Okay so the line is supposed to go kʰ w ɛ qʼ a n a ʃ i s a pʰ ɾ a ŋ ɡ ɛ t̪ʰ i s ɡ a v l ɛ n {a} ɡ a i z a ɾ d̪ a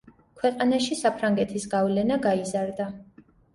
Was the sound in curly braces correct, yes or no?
yes